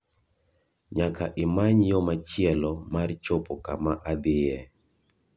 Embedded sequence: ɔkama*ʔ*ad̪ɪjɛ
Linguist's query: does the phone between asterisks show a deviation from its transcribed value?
no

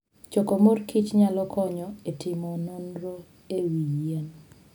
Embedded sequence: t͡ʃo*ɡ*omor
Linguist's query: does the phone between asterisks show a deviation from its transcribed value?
yes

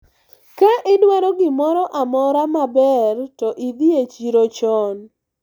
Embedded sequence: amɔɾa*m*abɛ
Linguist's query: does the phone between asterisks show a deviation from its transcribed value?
no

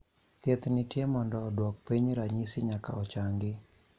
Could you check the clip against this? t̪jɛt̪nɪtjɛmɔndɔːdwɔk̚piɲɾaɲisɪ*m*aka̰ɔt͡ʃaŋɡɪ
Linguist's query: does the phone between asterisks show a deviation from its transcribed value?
yes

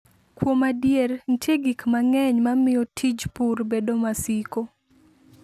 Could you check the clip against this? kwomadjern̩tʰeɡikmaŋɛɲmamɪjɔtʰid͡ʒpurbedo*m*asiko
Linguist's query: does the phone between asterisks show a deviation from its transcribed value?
no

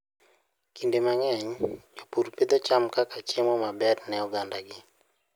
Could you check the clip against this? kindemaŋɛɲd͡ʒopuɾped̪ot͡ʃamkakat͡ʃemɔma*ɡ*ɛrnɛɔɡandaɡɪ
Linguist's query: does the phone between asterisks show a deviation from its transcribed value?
yes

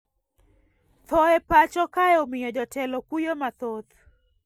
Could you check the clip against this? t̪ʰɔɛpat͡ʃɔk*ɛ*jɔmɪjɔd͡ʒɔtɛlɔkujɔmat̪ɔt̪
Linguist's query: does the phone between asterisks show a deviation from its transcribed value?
yes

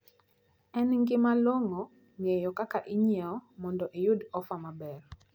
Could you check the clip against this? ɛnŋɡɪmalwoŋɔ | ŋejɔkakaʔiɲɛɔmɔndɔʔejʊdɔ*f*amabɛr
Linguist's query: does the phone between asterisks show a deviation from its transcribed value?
no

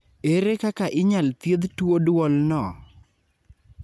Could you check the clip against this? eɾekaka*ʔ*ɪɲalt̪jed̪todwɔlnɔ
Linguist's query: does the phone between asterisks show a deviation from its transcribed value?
no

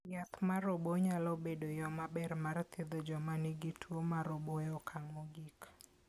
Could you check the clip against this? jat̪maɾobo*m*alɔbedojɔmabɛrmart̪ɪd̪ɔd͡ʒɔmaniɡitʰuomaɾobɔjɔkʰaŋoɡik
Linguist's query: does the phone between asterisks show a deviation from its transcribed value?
yes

